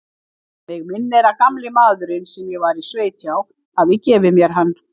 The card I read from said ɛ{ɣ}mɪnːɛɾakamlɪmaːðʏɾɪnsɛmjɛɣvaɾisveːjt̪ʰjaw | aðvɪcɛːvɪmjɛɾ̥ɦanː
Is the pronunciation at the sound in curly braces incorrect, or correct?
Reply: correct